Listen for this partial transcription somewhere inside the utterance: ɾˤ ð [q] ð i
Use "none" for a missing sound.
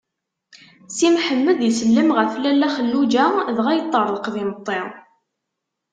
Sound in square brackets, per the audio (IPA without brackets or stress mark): q